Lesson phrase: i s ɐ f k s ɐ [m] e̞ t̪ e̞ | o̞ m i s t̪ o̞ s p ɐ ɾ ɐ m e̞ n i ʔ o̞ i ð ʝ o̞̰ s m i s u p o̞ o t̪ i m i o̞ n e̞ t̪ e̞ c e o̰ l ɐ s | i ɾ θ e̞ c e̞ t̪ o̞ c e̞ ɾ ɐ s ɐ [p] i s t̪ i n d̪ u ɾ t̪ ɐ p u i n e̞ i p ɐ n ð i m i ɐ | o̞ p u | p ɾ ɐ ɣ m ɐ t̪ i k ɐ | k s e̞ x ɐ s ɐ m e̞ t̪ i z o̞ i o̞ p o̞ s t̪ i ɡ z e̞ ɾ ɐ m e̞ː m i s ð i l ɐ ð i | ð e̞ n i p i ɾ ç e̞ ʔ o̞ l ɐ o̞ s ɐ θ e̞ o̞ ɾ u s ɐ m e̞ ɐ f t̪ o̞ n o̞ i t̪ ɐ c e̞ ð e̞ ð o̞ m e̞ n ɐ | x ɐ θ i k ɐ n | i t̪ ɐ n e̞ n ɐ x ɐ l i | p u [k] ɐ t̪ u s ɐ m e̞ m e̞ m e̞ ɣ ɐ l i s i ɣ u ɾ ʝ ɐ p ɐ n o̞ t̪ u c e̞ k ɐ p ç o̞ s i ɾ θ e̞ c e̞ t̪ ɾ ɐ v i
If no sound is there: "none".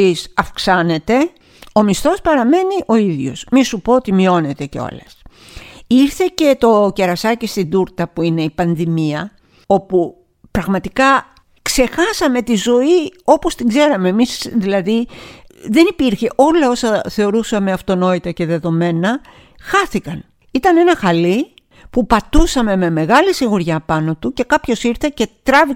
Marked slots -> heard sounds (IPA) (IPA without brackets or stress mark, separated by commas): n, c, p